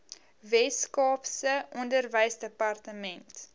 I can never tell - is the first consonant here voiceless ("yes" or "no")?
no